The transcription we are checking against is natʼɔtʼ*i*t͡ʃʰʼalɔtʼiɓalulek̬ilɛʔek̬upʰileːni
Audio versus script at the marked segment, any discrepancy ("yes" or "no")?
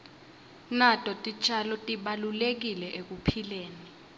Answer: no